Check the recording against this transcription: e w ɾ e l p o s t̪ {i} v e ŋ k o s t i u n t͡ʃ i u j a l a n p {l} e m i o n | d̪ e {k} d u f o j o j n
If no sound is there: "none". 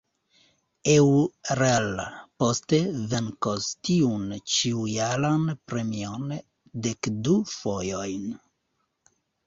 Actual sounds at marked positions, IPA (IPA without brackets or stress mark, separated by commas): e, ɾ, k